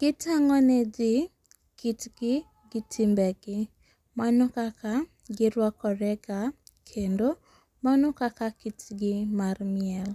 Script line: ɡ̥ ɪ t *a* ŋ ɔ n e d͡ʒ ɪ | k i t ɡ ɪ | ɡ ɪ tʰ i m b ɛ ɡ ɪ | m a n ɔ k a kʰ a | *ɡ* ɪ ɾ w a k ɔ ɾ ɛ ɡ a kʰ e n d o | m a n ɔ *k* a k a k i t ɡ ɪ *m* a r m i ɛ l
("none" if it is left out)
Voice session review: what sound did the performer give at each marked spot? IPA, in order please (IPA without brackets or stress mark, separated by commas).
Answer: a, ɡ, k, m